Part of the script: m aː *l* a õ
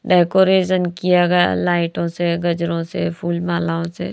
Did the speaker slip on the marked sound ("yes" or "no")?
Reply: no